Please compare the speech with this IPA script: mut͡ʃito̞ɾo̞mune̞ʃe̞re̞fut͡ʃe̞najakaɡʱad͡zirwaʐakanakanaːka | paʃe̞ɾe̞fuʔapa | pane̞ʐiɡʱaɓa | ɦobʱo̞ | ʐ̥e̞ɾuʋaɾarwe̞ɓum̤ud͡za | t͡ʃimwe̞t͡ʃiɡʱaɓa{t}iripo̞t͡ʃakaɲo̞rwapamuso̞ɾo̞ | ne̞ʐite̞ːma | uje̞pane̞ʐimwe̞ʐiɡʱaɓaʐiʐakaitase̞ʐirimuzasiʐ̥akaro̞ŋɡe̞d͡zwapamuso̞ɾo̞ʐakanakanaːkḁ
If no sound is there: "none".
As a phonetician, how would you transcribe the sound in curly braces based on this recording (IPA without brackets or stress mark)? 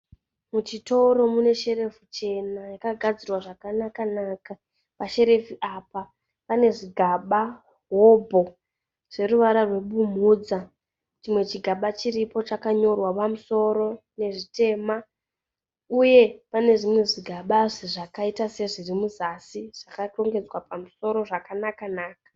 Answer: t͡ʃ